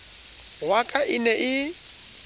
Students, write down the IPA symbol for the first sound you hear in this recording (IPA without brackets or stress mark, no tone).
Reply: w